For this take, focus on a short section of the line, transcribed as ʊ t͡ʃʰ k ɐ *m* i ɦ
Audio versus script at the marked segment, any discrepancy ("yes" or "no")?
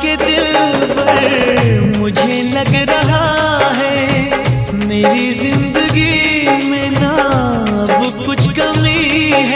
no